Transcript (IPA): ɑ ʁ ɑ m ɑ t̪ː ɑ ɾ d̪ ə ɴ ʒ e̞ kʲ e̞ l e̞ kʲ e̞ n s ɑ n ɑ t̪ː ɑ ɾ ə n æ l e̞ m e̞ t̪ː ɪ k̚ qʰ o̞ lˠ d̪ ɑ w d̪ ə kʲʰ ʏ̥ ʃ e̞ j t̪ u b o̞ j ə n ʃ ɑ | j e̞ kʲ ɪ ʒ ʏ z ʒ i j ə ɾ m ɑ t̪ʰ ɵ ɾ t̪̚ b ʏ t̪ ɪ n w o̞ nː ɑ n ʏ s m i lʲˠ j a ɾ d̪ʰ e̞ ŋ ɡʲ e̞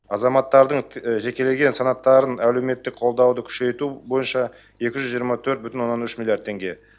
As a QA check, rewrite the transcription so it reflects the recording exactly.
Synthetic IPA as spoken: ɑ z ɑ m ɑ t̪ː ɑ ɾ d̪ ə ɴ ʒ e̞ kʲ e̞ l e̞ ɡʲ e̞ n s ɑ n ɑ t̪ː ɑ ɾ ə n æ l e̞ m e̞ t̪ː ɪ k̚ qʰ o̞ lˠ d̪ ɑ w d̪ ə kʲʰ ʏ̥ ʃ e̞ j t̪ u b o̞ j ə n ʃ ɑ | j e̞ kʲ ɪ ʒ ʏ z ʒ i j ə ɾ m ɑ t̪ʰ ɵ ɾ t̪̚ b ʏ t̪ ɪ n w o̞ nː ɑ n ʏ ʃ m i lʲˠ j a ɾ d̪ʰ e̞ ŋ ɡʲ e̞